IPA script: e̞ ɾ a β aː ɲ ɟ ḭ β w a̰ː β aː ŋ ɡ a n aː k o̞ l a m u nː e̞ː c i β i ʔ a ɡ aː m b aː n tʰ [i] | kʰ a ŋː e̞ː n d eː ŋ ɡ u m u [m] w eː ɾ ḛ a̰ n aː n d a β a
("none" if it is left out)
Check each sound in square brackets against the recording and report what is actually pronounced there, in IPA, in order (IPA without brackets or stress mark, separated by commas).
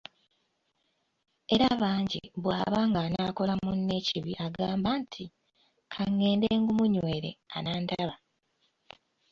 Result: i, ɲ